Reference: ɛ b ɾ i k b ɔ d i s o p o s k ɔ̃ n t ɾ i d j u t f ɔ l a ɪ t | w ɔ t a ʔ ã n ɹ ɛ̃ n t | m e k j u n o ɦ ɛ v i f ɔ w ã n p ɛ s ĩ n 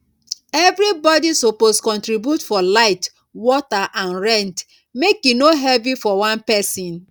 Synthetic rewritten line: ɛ v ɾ i b ɔ d i s o p o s k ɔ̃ n t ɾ i b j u t f ɔ l a ɪ t | w ɔ t a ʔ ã n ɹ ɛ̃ n t | m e k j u n o ɦ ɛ v i f ɔ w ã n p ɛ s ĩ n